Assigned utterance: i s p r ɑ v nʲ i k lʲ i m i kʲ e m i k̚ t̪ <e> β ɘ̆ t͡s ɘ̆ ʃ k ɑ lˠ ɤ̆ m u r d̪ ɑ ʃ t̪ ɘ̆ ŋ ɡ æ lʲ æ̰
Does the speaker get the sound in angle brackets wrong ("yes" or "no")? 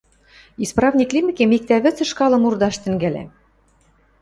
yes